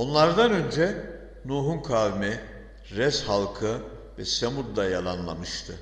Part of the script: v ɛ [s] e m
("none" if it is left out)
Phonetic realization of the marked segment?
s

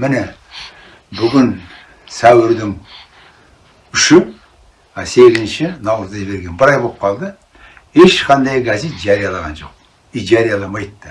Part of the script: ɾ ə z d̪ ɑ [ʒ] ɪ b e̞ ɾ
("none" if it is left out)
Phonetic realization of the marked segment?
ʒ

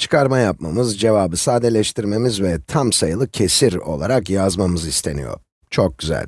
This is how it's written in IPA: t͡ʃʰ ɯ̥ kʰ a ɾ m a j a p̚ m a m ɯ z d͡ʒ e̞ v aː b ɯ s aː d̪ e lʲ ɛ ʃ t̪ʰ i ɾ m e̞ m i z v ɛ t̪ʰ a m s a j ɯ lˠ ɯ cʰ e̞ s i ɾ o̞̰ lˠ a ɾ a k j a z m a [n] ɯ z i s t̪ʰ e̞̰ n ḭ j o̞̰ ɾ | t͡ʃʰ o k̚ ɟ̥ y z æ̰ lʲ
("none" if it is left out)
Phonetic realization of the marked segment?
m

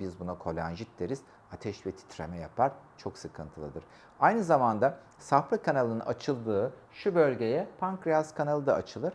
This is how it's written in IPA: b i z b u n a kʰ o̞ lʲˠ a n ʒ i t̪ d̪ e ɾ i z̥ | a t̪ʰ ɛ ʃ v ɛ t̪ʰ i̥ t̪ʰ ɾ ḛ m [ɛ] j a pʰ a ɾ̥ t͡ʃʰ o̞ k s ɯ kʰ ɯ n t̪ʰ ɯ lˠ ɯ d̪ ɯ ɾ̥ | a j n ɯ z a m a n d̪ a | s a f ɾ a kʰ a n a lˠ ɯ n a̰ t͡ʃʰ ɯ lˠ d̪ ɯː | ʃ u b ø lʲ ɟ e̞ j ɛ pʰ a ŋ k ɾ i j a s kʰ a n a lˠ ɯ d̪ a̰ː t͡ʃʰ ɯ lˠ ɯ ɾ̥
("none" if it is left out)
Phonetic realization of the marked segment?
ɛ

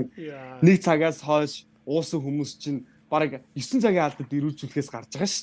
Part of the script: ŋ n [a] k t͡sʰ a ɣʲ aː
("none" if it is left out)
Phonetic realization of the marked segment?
e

